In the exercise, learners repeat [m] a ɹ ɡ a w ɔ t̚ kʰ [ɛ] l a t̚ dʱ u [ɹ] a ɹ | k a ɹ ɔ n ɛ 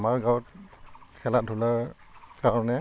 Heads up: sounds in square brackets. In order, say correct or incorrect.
correct, correct, incorrect: l

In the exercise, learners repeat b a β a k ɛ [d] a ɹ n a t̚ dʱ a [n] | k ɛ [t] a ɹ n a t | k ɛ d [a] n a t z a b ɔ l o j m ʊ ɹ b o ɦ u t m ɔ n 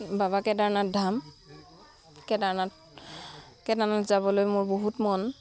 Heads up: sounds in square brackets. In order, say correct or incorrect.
correct, incorrect: m, incorrect: d, correct

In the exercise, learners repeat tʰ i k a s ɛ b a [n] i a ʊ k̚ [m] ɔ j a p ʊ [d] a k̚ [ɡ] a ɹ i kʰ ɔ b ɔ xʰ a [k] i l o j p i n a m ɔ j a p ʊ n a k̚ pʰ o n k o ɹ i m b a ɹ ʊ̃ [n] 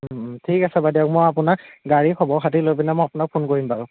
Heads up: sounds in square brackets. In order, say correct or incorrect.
incorrect: d, correct, incorrect: n, correct, incorrect: t, incorrect: none

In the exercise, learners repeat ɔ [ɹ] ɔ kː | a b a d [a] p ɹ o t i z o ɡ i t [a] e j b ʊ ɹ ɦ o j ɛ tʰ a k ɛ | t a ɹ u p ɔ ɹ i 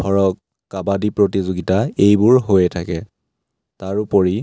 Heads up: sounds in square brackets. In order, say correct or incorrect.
correct, incorrect: i, correct

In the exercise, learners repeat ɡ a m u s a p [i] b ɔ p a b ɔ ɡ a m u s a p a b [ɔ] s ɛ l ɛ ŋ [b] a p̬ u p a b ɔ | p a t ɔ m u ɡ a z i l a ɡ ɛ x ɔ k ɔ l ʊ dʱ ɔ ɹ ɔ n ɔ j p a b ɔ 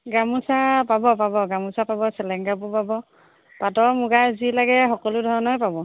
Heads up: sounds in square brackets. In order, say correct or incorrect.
incorrect: a, correct, incorrect: ɡ

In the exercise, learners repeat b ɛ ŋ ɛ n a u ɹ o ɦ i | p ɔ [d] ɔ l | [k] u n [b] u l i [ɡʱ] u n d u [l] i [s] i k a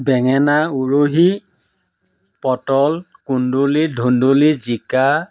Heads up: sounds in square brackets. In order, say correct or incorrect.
incorrect: t, correct, incorrect: d, incorrect: dʱ, correct, incorrect: z

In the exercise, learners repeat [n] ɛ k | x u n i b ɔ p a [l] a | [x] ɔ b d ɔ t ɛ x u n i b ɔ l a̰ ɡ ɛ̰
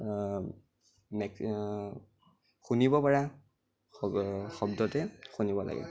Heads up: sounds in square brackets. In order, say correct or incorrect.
incorrect: m, incorrect: ɹ, correct

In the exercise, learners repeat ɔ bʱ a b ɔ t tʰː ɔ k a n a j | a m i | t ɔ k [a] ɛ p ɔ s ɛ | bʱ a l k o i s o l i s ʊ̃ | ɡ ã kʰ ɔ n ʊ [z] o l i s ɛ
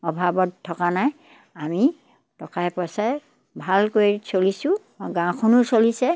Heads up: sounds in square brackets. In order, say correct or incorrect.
correct, incorrect: s

